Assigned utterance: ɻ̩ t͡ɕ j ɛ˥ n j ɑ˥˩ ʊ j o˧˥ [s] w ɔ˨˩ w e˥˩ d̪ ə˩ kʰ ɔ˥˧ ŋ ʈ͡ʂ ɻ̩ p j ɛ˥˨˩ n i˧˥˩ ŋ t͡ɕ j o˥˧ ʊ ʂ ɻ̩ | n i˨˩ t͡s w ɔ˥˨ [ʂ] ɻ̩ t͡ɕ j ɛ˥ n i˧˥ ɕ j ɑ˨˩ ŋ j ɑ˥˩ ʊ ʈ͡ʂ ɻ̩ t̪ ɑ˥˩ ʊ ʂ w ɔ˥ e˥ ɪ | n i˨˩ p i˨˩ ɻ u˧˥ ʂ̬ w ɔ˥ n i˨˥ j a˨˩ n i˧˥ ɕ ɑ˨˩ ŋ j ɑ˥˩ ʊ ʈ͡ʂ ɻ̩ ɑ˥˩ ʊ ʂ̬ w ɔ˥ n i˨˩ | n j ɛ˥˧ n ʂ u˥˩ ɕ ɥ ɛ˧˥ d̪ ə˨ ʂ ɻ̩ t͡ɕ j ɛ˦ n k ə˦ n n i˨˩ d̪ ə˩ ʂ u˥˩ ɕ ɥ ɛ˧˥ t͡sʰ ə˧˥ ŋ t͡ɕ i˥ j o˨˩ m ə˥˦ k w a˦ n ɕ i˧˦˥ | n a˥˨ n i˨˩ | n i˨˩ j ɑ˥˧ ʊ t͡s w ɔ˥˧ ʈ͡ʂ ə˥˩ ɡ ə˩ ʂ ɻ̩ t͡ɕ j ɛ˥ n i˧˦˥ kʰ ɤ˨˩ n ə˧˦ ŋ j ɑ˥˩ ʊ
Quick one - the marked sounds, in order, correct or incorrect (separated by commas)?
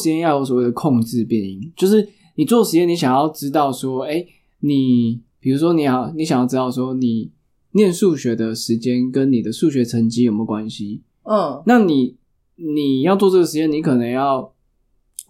correct, correct